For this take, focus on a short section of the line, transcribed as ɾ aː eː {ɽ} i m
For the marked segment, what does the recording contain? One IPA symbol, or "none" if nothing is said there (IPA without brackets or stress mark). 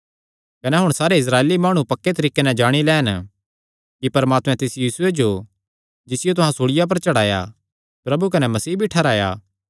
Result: l